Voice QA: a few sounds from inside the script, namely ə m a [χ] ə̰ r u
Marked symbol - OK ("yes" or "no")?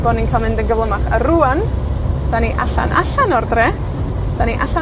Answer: yes